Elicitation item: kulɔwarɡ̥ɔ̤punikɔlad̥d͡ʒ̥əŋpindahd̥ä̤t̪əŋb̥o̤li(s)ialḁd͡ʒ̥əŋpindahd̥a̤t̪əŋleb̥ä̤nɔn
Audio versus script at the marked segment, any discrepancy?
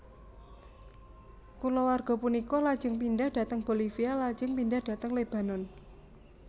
yes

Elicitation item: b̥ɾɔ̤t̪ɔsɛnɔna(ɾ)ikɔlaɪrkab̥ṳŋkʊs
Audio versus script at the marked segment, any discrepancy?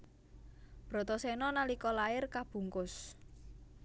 yes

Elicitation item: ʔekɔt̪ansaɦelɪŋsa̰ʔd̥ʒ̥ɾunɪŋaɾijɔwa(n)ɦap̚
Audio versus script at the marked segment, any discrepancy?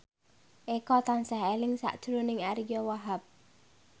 yes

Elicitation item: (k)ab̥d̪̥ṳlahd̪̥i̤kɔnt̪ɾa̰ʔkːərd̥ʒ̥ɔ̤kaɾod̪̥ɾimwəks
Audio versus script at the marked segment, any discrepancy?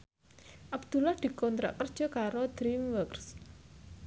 yes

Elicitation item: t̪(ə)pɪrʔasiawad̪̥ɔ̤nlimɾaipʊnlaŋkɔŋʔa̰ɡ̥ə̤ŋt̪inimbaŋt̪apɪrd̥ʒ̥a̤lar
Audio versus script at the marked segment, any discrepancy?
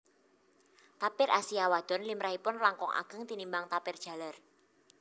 yes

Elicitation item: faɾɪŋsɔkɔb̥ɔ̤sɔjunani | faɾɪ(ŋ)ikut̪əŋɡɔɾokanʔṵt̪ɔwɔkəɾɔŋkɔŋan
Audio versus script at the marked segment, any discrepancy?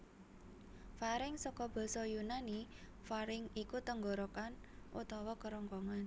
no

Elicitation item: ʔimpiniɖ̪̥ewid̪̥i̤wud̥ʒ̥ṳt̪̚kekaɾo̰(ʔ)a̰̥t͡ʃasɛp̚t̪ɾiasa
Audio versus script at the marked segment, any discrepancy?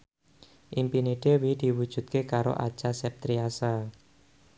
no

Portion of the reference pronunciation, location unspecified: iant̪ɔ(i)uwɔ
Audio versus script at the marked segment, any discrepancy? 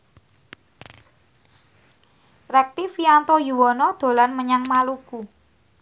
yes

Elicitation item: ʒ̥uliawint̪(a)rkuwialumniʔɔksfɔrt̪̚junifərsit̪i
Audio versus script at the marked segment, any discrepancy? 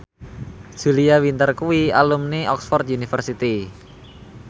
yes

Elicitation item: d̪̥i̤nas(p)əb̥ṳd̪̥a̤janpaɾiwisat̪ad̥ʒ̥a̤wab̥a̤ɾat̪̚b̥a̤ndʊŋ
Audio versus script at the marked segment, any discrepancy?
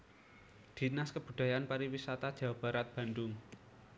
yes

